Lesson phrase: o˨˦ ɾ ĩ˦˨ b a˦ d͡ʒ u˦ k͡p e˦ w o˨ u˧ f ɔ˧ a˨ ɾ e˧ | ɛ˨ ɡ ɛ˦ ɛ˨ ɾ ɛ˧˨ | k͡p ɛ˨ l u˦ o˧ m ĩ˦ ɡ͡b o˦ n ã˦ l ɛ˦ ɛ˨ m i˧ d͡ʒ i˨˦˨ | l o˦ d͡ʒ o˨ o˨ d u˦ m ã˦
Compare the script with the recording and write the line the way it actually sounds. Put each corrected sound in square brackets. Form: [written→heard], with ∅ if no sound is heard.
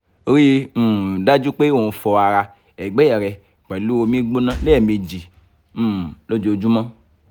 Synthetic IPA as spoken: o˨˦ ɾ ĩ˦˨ [b→d] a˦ d͡ʒ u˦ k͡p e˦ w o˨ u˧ f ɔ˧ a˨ ɾ [e˧→a˧] | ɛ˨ [ɡ→ɡ͡b] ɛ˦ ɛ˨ ɾ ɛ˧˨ | k͡p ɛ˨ l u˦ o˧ m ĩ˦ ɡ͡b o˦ n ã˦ l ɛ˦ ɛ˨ m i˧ d͡ʒ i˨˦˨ | l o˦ d͡ʒ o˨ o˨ [d→d͡ʒ] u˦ m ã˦

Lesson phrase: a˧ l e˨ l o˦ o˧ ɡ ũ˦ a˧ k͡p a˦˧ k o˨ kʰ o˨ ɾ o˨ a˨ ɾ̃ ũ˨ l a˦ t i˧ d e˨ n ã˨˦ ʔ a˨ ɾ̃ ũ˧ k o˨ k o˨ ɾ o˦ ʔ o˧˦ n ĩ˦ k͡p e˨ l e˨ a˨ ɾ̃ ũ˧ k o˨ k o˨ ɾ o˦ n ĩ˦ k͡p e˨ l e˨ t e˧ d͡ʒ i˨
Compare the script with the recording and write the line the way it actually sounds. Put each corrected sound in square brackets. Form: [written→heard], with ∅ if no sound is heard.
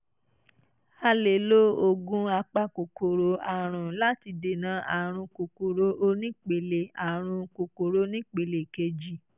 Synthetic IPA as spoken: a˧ l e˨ l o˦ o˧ ɡ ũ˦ a˧ k͡p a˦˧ k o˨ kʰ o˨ ɾ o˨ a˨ ɾ̃ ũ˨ l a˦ t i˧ d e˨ n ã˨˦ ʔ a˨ ɾ̃ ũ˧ k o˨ k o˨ ɾ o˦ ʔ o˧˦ n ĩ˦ k͡p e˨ l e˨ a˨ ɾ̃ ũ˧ k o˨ k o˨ ɾ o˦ n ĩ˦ k͡p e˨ l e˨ [t→k] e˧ d͡ʒ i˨

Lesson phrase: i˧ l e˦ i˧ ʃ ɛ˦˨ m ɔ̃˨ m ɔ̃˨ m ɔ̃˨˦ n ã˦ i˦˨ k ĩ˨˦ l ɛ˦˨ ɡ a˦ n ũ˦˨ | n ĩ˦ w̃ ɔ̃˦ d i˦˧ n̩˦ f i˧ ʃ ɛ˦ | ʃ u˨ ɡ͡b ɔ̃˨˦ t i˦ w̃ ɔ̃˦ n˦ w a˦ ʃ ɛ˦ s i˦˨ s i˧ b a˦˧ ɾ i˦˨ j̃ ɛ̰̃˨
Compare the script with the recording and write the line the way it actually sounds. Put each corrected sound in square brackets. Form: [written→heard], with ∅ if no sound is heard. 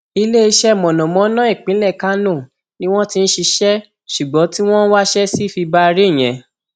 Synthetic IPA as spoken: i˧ l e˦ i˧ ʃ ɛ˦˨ m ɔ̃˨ [m→n] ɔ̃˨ m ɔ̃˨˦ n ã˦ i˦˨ [k→k͡p] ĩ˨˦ l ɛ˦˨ [ɡ→k] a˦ n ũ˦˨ | n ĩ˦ w̃ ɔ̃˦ [d→t] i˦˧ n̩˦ [f→ʃ] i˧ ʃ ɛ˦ | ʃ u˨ ɡ͡b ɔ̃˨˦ t i˦ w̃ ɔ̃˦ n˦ w a˦ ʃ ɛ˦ s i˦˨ [s→f] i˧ b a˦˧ ɾ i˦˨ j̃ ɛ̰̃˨

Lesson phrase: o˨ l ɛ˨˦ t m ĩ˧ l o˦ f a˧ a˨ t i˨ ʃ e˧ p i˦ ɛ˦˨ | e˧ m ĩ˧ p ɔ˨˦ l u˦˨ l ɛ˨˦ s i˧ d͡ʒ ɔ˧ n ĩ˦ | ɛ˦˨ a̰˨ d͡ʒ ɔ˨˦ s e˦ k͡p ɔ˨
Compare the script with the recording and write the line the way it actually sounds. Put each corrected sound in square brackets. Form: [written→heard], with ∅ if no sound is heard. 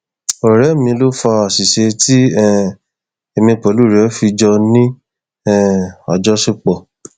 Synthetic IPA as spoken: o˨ [l→ɾ] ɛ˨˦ [t→∅] m ĩ˧ l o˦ f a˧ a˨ [t→s] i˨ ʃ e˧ [p→t] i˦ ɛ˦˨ | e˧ m ĩ˧ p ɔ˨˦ l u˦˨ [l→ɾ] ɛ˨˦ [s→f] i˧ d͡ʒ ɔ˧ n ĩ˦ | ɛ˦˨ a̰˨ d͡ʒ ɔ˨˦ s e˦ k͡p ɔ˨

